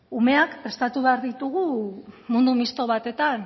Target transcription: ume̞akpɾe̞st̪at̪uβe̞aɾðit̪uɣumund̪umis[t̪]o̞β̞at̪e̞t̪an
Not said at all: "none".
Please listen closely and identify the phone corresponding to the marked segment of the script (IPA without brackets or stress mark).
t̪